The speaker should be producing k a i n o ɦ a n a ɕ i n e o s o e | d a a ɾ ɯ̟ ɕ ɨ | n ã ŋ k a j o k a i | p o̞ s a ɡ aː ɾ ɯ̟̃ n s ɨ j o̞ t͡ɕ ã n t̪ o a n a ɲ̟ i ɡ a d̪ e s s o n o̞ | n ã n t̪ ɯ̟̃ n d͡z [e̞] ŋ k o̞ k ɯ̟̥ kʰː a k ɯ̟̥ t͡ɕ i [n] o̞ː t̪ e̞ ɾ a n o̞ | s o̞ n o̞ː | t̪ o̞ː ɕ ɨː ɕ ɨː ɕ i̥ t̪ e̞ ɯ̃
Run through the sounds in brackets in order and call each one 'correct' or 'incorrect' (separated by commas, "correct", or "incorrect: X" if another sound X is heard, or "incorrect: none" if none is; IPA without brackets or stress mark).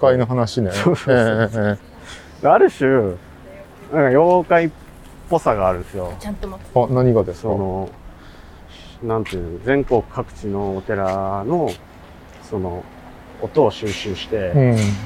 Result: incorrect: ẽ̞, correct